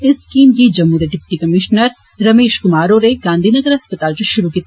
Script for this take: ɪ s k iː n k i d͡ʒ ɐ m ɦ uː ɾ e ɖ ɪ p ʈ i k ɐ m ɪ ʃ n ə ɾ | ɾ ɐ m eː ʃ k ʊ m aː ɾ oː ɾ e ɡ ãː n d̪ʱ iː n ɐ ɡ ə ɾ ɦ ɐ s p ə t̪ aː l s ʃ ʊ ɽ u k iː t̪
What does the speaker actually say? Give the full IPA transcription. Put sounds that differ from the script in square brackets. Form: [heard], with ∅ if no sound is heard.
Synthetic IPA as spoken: ɪ s k iː [m] k i d͡ʒ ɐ m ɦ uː ɾ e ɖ ɪ p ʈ i k ɐ m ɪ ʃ n ə ɾ | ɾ ɐ m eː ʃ k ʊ m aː ɾ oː ɾ e ɡ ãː n d̪ʱ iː n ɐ ɡ ə ɾ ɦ ɐ s p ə t̪ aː l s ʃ ʊ [ɾ] u k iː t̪